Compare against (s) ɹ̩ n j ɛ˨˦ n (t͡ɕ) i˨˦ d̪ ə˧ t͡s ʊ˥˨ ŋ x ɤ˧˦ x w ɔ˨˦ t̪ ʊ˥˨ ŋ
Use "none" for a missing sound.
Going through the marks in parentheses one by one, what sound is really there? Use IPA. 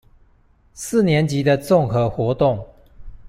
s, t͡ɕ

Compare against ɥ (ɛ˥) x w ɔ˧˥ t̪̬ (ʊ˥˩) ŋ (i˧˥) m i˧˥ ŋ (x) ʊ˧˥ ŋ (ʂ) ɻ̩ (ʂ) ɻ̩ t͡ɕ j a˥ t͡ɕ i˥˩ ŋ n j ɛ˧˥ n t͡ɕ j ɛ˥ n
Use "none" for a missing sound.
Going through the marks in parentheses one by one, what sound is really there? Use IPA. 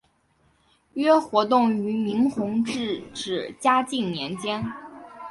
ɛ˥, ʊ˥˩, y˧˥, x, ʈ͡ʂ, ʈ͡ʂ

